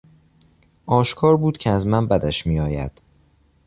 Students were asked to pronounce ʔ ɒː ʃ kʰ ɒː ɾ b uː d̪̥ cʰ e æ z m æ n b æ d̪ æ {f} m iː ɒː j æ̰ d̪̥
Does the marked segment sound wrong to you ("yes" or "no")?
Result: yes